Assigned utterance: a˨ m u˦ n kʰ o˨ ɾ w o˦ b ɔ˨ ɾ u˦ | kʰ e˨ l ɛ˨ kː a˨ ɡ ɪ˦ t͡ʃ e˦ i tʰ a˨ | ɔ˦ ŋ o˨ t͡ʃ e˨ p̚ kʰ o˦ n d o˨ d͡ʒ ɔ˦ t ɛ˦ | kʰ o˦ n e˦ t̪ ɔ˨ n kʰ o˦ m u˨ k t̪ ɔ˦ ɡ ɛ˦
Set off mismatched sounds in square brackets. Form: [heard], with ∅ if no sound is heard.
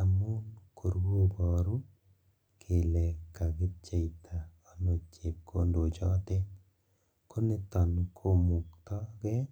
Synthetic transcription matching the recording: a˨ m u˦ n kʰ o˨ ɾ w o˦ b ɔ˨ ɾ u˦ | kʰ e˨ l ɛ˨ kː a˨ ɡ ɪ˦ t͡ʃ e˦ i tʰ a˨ | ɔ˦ [n] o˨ t͡ʃ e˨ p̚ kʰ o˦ n d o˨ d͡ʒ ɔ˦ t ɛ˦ | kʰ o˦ n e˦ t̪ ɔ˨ n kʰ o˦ m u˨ k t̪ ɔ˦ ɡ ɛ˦